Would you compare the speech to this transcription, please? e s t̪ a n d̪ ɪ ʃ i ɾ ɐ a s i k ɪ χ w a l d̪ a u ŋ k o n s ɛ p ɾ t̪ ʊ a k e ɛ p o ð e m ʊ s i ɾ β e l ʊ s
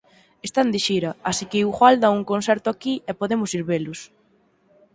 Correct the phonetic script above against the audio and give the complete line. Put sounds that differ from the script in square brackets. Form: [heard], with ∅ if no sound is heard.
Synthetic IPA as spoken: e s t̪ a n d̪ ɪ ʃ i ɾ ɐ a s i k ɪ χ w a l d̪ a u ŋ k o n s ɛ [∅] ɾ t̪ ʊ a k [i] ɛ p o ð e m ʊ s i ɾ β e l ʊ s